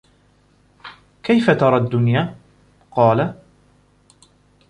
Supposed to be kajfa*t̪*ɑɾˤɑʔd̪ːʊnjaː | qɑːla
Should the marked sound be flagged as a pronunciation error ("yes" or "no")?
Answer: no